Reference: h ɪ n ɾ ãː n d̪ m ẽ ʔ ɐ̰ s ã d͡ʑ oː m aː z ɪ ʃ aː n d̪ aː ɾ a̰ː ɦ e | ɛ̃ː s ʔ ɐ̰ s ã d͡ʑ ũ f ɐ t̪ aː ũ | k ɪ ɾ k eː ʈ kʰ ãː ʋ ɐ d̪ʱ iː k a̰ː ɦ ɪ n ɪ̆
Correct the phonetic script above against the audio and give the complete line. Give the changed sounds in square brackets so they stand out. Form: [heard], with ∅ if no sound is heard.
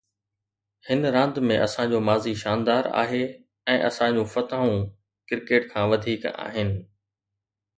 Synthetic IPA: h ɪ n ɾ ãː n d̪ m ẽ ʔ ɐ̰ s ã d͡ʑ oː m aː z [i] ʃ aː n d̪ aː ɾ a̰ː ɦ e | ɛ̃ː [∅] ʔ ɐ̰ s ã d͡ʑ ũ f ɐ t̪ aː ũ | k ɪ ɾ k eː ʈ kʰ ãː ʋ ɐ d̪ʱ iː k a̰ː ɦ ɪ n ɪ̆

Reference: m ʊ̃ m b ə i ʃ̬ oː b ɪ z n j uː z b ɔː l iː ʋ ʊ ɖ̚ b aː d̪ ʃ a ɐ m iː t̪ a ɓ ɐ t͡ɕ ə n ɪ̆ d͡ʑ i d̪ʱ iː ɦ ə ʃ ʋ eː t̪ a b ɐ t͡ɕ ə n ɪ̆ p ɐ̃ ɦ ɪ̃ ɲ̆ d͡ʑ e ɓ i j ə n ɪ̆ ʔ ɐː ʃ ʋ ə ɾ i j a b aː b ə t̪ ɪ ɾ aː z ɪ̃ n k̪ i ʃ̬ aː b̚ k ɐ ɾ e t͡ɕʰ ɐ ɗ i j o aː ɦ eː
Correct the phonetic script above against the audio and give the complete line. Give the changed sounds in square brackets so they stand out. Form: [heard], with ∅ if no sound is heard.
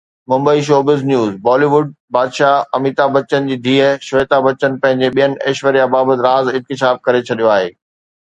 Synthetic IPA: m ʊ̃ m b ə i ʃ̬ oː b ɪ z n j uː z b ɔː l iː ʋ ʊ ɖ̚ b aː d̪ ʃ a ɐ m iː t̪ a [b] ɐ t͡ɕ ə n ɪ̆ d͡ʑ [iː] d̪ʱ iː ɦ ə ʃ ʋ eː t̪ a b ɐ t͡ɕ ə n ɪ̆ p ɐ̃ ɦ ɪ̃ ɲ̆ d͡ʑ e ɓ i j ə n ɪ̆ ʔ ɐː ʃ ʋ ə ɾ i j a b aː b ə t̪ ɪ ɾ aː z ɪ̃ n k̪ [ɪ] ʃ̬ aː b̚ k ɐ ɾ e t͡ɕʰ ɐ ɗ i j o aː ɦ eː

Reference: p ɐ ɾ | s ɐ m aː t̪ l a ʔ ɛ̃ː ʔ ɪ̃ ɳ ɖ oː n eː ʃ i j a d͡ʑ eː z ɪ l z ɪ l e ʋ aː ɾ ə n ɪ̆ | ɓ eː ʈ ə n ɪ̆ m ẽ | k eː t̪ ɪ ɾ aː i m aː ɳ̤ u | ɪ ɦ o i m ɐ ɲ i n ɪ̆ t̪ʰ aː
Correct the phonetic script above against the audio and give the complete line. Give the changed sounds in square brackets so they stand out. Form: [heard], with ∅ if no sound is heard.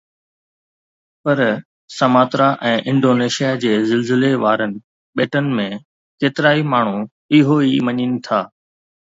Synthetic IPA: p ɐ ɾ | s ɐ m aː t̪ [ɾ] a ʔ ɛ̃ː ʔ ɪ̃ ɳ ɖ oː n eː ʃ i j a d͡ʑ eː z ɪ l z ɪ l e ʋ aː ɾ ə n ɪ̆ | ɓ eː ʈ ə n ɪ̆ m ẽ | k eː t̪ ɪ ɾ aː i m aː ɳ̤ u | ɪ ɦ o i m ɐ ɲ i n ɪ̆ t̪ʰ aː

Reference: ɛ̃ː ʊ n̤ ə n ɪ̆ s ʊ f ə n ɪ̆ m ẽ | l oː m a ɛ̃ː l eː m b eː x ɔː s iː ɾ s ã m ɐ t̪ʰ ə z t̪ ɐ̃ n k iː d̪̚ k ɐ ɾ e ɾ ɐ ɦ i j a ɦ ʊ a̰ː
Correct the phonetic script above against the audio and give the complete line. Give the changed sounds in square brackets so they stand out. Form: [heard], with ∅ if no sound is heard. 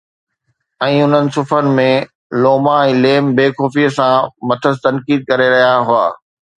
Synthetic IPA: ɛ̃ː ʊ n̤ ə n ɪ̆ s ʊ f ə n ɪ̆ m ẽ | l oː m a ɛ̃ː l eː m b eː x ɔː [f] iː [∅] s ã m ɐ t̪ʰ ə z t̪ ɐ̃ n k iː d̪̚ k ɐ ɾ e ɾ ɐ ɦ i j a ɦ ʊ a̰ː

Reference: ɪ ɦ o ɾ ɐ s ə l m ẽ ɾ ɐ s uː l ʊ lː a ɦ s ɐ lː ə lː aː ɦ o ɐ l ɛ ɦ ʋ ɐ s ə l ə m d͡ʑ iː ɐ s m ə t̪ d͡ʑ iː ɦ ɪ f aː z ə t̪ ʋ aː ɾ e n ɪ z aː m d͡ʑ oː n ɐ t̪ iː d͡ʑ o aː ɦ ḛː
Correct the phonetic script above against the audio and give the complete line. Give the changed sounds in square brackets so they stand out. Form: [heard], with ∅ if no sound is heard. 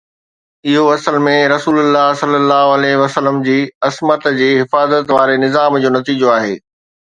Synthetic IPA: ɪ ɦ o [∅] ɐ s ə l m ẽ ɾ ɐ s uː l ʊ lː a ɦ s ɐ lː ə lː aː ɦ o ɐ l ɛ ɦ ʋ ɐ s ə l ə m d͡ʑ iː ɐ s m ə t̪ d͡ʑ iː ɦ ɪ f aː z ə t̪ ʋ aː ɾ e n ɪ z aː m d͡ʑ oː n ɐ t̪ iː d͡ʑ o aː ɦ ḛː

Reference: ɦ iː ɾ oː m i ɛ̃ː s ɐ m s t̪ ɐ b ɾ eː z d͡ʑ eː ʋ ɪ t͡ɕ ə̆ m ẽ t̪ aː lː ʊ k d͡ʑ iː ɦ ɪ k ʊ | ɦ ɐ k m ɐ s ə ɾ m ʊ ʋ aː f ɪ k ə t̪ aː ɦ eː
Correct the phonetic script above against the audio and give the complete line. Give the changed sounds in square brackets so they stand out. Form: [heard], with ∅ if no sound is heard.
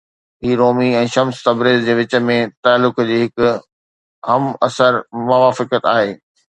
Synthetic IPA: ɦ iː ɾ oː m i ɛ̃ː [ʃ] ɐ m s t̪ ɐ b ɾ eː z d͡ʑ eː ʋ ɪ t͡ɕ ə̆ m ẽ t̪ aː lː ʊ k d͡ʑ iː ɦ ɪ k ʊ | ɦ ɐ [∅] m ɐ s ə ɾ m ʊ ʋ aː f ɪ k ə t̪ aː ɦ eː

